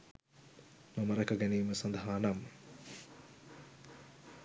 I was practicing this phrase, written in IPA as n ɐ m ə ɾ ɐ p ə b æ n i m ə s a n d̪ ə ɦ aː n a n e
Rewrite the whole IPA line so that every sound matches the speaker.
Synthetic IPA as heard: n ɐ m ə ɾ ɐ k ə ɡ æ n iː m ə s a n d̪ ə ɦ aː n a m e